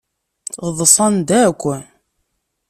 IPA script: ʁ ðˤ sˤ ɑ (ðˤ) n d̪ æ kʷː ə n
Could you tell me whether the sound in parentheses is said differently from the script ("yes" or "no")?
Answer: yes